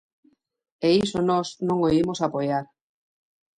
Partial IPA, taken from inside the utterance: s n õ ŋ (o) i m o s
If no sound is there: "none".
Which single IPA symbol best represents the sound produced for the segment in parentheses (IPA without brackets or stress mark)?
o